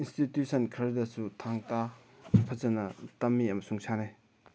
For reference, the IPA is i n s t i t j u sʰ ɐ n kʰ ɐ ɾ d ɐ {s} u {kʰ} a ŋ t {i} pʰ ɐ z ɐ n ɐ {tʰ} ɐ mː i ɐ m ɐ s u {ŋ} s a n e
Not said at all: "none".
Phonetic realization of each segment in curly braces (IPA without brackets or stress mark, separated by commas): s, tʰ, a, t, ŋ